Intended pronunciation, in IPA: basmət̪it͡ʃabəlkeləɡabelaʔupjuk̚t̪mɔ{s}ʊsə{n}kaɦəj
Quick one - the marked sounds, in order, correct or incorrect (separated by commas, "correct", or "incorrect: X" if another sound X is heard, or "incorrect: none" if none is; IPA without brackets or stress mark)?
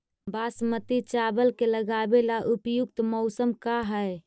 incorrect: none, incorrect: m